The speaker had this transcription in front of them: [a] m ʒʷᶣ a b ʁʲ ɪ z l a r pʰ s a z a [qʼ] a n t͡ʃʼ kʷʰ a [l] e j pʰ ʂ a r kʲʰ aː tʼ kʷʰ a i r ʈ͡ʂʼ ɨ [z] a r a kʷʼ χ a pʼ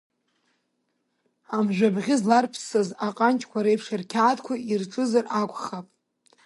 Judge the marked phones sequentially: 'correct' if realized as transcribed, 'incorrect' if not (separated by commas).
correct, correct, incorrect, correct